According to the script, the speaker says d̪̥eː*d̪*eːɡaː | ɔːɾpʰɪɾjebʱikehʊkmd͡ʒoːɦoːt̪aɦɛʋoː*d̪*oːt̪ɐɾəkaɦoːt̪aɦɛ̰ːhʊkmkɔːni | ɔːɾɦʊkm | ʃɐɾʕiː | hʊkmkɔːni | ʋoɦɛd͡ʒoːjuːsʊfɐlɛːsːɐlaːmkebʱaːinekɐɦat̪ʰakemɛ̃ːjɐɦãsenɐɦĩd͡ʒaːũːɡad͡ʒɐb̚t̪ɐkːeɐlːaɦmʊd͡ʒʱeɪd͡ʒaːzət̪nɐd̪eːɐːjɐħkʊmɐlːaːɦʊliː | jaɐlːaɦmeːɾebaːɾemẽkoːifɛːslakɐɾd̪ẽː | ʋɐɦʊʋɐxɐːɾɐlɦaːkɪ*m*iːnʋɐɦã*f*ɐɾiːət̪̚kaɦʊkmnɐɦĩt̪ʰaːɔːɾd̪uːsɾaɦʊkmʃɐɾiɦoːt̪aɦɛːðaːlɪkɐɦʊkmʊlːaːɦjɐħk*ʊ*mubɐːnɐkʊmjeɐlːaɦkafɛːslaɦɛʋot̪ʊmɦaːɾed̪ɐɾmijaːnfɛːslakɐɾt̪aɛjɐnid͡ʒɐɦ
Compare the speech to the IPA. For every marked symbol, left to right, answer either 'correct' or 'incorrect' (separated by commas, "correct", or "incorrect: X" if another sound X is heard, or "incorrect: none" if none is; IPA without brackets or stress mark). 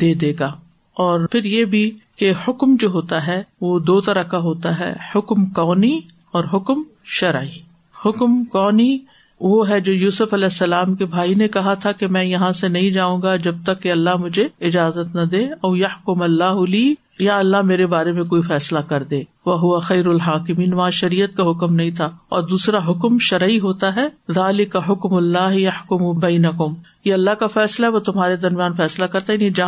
correct, correct, correct, incorrect: ʃ, correct